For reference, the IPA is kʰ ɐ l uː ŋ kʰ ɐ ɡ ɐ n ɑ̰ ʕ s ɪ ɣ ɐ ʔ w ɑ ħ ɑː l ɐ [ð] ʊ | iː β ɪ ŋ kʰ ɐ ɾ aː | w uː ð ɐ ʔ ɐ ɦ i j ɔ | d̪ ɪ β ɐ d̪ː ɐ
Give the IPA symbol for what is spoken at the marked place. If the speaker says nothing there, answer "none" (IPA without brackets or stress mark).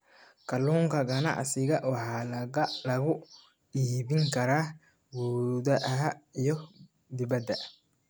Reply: ɣ